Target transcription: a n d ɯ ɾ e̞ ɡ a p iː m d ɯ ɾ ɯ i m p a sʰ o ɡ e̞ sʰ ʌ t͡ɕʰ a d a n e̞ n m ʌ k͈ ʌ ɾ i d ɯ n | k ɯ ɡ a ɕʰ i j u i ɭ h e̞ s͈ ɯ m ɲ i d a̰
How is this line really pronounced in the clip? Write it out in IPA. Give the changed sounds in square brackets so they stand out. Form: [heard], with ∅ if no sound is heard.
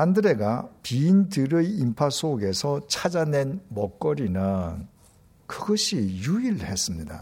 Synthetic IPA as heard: a n d ɯ ɾ e̞ ɡ a p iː [n] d ɯ ɾ ɯ i m [pʰ] a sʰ o ɡ e̞ sʰ ʌ t͡ɕʰ a [d͡ʑ] a n e̞ n m ʌ k͈ ʌ ɾ i [n] ɯ n | k ɯ ɡ [ʌ] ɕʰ i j u i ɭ h e̞ s͈ ɯ m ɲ i d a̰